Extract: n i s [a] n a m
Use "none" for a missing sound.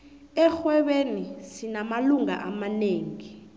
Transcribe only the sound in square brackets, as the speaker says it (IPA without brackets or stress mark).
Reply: i